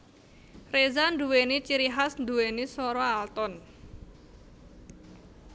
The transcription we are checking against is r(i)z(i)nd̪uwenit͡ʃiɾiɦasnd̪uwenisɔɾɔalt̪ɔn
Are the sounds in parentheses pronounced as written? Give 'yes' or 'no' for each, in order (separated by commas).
no, no